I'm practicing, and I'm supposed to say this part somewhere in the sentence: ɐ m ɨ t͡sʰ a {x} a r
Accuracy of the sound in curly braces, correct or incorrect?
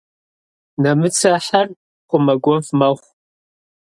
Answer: incorrect: ħ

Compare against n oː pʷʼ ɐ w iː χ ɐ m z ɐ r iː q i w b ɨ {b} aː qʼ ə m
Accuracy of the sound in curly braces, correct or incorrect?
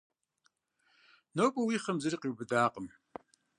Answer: incorrect: d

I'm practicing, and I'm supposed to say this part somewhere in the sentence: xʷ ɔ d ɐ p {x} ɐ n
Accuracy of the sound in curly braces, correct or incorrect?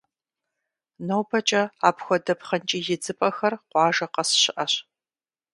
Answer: incorrect: χ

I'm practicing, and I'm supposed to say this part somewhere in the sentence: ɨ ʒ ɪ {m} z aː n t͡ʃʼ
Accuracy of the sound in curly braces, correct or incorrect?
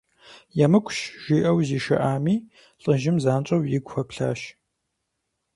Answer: correct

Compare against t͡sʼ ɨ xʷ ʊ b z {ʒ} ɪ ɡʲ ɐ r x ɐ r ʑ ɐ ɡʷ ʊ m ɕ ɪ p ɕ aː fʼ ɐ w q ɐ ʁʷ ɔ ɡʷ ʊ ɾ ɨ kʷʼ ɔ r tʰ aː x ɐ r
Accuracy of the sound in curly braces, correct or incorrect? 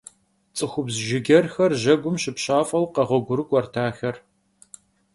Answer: correct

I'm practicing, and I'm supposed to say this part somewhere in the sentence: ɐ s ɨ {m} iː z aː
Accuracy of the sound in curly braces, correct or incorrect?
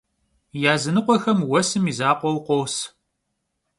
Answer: correct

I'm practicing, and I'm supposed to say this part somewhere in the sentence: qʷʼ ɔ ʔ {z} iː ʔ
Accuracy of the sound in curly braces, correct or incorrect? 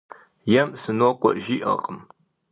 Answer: incorrect: ʒ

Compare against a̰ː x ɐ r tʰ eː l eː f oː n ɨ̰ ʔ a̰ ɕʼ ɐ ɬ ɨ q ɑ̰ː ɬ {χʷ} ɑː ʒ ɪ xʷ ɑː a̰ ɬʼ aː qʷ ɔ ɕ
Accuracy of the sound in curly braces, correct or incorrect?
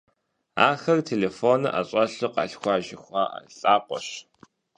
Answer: incorrect: xʷ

